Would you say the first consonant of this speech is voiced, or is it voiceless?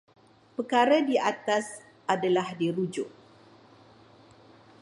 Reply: voiceless